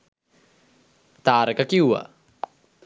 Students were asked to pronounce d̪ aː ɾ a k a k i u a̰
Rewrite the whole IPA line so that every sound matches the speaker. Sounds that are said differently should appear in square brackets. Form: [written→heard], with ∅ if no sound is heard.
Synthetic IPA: [d̪→t̪] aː ɾ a k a k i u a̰